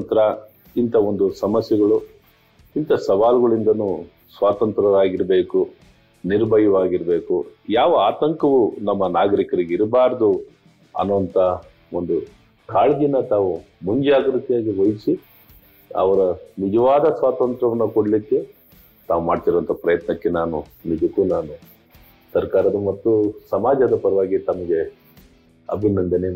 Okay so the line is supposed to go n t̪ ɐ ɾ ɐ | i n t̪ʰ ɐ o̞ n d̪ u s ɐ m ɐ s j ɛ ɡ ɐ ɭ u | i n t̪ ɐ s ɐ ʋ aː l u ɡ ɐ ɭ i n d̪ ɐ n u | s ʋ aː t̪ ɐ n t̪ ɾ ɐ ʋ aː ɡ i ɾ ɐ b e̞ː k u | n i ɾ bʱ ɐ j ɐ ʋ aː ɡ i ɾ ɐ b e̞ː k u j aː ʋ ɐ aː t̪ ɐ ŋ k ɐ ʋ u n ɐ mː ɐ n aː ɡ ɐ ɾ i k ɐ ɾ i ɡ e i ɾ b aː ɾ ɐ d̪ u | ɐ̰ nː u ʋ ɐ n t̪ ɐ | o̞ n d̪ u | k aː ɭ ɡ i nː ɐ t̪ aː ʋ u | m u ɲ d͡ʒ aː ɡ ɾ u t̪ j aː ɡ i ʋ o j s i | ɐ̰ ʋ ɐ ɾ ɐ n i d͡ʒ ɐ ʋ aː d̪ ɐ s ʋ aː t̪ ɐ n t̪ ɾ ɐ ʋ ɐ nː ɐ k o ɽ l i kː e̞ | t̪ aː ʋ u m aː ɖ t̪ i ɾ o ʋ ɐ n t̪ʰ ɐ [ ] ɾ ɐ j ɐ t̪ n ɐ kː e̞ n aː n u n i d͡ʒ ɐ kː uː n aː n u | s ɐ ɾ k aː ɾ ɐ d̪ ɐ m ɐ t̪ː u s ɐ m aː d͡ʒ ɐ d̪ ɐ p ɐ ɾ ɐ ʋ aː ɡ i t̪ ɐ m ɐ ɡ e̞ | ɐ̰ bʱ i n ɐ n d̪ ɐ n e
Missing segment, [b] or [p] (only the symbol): p